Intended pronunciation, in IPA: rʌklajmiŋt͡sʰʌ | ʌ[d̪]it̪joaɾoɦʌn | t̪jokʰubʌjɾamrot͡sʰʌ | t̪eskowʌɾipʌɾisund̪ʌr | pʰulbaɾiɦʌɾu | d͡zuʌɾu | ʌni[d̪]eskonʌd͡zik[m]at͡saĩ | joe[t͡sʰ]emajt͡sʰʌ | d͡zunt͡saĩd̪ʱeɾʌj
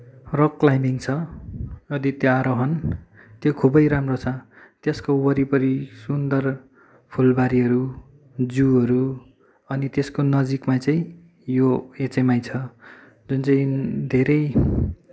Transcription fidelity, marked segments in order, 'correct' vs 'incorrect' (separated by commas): correct, incorrect, correct, incorrect